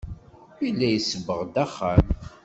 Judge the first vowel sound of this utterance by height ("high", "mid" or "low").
high